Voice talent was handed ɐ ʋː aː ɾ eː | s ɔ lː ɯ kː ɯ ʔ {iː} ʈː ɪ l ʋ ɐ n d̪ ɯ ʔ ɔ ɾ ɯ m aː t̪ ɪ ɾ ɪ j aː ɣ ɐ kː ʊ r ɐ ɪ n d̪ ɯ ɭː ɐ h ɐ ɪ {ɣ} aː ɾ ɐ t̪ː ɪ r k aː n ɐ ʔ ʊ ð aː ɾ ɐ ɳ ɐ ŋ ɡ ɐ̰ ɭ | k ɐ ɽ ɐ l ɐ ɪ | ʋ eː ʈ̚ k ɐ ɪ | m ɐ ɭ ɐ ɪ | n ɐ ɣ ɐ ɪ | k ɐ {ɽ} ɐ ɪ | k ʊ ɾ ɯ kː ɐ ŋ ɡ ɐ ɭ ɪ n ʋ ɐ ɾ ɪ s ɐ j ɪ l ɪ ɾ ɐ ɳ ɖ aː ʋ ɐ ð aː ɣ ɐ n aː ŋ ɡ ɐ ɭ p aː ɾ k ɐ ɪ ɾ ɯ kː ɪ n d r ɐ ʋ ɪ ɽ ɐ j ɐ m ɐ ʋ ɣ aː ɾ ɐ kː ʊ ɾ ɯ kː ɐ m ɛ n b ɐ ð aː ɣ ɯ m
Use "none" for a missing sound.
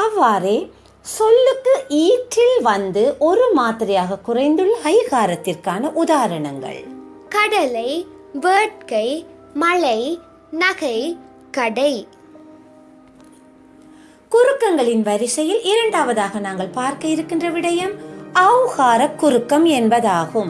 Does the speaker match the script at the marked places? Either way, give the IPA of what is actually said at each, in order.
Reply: iː, ɣ, ɽ

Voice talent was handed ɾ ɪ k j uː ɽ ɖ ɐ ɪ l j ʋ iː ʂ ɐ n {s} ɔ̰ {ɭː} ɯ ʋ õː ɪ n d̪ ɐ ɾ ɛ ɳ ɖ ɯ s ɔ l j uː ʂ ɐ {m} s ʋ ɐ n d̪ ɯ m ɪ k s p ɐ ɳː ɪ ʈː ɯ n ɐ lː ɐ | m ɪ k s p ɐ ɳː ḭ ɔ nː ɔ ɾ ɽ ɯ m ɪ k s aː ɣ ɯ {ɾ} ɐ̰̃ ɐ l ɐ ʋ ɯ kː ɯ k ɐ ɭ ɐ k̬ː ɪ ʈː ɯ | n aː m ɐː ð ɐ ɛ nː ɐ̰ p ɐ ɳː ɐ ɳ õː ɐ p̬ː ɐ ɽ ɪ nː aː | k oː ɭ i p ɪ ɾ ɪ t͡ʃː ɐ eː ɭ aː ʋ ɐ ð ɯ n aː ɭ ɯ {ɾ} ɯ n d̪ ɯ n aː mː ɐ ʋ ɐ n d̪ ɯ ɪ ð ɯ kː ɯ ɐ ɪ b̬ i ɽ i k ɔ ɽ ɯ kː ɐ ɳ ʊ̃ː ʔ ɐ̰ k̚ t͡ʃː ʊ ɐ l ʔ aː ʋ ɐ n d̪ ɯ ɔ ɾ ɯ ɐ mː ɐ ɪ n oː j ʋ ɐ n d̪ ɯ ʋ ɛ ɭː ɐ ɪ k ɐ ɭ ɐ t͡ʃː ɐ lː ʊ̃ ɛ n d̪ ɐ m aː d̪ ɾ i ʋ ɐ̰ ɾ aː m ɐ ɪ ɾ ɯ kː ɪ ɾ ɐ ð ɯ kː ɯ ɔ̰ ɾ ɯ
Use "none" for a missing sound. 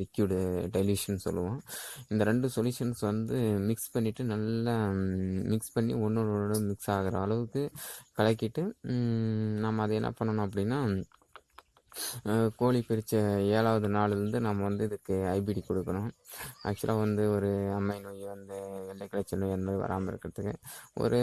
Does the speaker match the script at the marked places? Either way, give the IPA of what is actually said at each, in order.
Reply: s, lː, n, ɾ, ɾ

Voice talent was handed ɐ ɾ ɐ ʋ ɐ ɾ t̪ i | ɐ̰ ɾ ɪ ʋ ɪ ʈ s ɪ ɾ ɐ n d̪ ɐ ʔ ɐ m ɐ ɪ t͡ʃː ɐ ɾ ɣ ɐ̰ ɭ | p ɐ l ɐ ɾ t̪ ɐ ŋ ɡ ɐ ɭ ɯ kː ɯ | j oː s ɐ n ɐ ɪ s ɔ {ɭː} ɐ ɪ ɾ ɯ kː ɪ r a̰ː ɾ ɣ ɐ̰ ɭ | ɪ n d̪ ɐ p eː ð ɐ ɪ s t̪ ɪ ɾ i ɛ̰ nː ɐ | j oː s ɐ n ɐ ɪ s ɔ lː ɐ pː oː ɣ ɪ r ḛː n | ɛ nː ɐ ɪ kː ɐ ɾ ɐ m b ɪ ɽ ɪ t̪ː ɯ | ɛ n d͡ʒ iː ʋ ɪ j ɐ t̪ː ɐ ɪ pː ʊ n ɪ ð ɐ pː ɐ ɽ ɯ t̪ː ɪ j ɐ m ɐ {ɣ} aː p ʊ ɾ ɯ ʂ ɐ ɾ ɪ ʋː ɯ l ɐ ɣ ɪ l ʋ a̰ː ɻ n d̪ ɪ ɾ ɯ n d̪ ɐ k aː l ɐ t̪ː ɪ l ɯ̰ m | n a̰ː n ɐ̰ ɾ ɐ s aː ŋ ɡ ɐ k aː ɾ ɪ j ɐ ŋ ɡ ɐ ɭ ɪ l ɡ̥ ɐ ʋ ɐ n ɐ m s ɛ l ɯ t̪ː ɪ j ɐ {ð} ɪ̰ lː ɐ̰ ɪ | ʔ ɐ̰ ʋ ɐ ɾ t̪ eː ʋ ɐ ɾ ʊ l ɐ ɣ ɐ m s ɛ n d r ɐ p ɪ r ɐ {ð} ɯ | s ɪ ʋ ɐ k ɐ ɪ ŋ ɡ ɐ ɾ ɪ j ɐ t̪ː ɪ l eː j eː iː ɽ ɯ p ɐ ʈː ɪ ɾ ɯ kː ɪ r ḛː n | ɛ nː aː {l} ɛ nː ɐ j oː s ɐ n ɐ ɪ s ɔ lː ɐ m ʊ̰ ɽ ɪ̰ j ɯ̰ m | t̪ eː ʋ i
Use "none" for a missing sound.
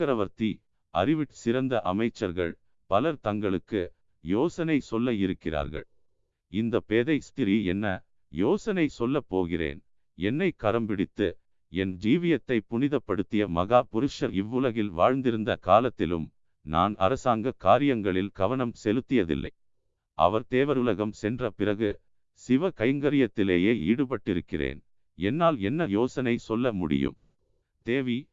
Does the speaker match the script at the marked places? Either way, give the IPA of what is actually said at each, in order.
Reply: lː, ɣ, ð, ɣ, l

